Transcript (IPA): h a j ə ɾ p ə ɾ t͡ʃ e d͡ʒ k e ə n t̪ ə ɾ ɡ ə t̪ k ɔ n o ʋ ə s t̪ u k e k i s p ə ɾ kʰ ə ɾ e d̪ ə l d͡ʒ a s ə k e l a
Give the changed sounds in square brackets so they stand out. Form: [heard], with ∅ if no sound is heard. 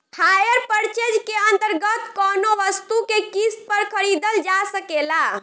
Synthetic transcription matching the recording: h a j ə ɾ p ə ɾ t͡ʃ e d͡ʒ k e ə n t̪ ə ɾ ɡ ə t̪ k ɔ n o ʋ ə s t̪ u k e k i s p ə ɾ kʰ ə ɾ [i] d̪ ə l d͡ʒ a s ə k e l a